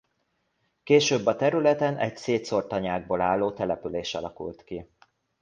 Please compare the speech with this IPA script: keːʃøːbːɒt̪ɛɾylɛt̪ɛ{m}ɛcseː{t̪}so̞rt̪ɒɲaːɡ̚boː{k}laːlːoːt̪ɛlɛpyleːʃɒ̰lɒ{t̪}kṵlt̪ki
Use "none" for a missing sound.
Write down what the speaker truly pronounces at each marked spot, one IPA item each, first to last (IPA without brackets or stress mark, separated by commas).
n, t̪, none, none